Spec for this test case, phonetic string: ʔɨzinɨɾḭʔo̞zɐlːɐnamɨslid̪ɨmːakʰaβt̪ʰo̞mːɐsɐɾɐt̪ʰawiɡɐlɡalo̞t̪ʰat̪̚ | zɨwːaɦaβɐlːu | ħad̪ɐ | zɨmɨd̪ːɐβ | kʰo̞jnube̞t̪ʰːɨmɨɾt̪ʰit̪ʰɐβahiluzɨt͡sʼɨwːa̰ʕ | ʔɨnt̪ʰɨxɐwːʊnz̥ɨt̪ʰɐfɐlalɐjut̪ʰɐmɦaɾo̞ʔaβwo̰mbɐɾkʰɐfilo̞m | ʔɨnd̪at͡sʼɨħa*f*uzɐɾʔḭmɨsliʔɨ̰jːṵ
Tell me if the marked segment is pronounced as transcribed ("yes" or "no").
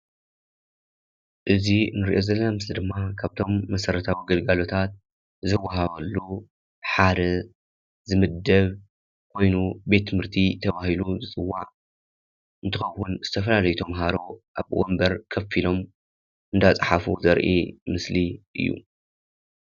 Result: yes